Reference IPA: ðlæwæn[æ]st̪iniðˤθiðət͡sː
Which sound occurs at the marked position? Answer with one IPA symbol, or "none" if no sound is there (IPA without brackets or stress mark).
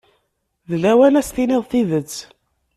æ